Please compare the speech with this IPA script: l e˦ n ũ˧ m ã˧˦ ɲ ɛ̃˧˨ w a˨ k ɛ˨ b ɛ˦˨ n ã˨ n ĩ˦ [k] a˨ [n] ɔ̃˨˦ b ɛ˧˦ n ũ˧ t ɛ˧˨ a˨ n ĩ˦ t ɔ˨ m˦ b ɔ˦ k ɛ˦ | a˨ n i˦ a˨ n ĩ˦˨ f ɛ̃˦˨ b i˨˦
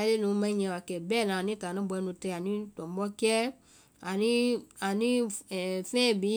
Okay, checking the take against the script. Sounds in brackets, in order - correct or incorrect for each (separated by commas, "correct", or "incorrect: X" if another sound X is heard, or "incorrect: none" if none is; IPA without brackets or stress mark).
incorrect: t, correct